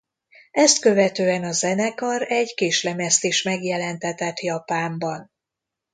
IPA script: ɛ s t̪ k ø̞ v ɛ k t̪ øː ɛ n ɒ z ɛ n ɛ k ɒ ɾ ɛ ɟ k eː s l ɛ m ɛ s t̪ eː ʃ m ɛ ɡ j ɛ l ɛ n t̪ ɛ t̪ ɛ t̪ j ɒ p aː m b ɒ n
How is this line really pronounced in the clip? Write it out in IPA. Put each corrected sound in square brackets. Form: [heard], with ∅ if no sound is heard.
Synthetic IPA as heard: ɛ s t̪ k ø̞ v ɛ [∅] t̪ øː ɛ n ɒ z ɛ n ɛ k ɒ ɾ ɛ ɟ k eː [ʃ] l ɛ m ɛ s t̪ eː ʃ m ɛ ɡ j ɛ l ɛ n t̪ ɛ t̪ ɛ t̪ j ɒ p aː m b ɒ n